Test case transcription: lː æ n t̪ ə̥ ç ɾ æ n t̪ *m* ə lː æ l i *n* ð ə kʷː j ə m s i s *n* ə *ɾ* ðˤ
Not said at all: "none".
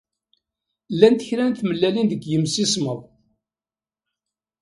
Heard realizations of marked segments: m, n, m, none

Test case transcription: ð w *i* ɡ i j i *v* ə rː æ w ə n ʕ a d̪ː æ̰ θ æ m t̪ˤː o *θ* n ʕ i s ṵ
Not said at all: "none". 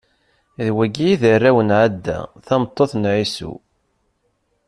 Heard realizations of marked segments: æ, ð, θ

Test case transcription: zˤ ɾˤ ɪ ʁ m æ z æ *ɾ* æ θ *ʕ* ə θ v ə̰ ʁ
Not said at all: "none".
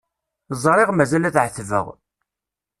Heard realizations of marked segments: l, ʕ

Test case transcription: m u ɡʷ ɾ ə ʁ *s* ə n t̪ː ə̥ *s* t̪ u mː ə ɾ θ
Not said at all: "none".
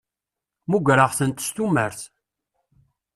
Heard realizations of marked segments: θ, s

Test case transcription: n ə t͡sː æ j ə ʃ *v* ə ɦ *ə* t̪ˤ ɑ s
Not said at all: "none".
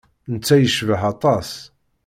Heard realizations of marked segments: v, ɑ

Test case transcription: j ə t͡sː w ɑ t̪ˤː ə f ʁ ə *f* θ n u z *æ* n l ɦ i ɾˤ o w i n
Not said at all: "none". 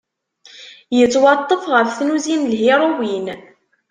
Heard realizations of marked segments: f, i

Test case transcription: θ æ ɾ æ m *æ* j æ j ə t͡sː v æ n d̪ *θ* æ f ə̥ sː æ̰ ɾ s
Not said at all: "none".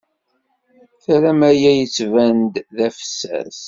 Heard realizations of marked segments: æ, ð

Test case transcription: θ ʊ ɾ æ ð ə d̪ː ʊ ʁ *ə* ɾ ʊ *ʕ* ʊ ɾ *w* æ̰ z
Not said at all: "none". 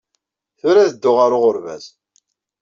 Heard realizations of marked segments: a, ʁ, v

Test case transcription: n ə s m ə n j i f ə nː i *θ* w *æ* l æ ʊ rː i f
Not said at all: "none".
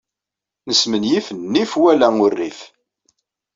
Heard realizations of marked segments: f, æ

